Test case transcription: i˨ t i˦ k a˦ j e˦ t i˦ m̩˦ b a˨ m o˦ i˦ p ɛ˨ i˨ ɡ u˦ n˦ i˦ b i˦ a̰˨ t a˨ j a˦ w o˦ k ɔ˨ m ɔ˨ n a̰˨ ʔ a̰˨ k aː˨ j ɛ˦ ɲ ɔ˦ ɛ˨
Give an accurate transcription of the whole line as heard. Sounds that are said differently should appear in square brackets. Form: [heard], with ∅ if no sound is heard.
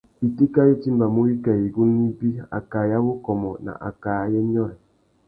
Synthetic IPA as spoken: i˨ t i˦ k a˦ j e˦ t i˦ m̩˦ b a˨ m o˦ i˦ [k] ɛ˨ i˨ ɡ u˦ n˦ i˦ b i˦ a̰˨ [k] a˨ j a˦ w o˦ k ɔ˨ m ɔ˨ n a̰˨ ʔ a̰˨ k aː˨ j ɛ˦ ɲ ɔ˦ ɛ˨